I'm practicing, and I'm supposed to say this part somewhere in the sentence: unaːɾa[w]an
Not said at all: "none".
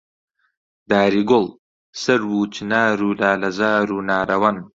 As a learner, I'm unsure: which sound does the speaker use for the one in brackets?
w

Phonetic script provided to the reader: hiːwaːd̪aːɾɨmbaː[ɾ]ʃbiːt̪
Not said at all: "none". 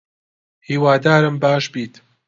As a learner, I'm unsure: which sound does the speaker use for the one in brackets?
none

